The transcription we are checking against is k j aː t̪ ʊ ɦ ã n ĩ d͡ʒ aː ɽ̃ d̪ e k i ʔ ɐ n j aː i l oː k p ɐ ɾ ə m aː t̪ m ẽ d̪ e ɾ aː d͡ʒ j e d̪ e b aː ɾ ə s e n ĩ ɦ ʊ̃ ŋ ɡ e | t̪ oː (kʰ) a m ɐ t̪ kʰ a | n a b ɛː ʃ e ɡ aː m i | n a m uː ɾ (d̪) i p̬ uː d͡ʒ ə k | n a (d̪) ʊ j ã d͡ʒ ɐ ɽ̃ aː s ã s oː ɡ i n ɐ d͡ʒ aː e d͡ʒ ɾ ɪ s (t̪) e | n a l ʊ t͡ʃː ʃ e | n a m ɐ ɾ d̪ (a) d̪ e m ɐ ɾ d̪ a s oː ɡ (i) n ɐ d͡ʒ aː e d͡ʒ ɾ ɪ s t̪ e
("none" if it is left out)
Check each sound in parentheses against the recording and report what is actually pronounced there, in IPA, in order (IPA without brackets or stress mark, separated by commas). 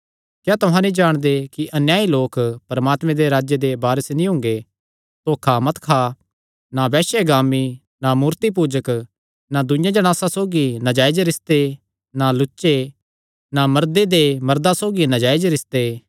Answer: kʰ, t̪, d̪, t̪, e, i